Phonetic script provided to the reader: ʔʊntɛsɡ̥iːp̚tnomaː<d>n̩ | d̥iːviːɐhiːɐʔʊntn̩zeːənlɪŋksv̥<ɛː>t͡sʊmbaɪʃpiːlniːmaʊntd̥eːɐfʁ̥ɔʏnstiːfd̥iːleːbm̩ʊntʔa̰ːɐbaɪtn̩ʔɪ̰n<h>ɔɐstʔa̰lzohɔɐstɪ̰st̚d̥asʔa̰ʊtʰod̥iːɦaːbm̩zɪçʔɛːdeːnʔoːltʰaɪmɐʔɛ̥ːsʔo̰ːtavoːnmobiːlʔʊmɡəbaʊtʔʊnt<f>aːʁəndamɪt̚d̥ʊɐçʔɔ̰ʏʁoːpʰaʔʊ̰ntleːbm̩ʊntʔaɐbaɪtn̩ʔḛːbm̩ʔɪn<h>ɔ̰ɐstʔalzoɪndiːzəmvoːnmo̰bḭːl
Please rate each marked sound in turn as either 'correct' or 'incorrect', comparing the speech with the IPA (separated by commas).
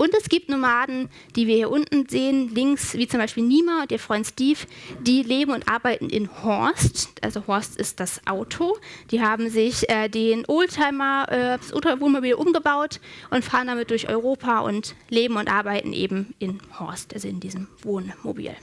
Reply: correct, incorrect, correct, correct, correct